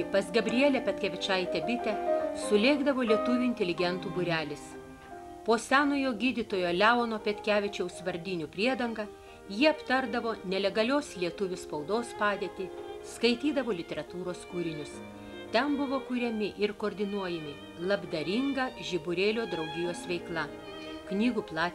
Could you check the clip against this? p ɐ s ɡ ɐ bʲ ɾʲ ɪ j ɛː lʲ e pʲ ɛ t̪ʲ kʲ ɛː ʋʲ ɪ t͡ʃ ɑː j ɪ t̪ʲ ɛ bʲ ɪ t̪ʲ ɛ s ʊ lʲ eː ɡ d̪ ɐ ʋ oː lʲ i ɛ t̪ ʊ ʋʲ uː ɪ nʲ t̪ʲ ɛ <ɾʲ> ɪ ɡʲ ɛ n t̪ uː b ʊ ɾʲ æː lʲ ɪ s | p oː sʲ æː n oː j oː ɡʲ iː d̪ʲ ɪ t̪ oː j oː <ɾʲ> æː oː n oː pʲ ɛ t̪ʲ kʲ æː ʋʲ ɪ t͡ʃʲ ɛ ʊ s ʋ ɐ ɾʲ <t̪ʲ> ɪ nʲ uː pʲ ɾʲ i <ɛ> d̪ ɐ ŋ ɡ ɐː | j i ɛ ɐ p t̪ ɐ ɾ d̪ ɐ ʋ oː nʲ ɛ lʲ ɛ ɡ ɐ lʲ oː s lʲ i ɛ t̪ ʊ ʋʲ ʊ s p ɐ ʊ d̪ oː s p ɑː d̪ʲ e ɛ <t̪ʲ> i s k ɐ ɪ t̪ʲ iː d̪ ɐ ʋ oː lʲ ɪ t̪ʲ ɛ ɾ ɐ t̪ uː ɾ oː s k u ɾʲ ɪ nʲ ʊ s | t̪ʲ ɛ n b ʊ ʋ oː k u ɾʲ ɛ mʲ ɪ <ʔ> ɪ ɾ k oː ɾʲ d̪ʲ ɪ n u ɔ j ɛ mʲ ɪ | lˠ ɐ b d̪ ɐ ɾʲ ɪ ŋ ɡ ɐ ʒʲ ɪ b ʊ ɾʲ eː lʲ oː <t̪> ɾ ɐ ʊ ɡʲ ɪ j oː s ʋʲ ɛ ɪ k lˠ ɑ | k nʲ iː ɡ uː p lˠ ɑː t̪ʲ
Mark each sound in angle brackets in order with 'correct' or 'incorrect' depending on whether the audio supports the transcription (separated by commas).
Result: incorrect, incorrect, incorrect, correct, correct, correct, incorrect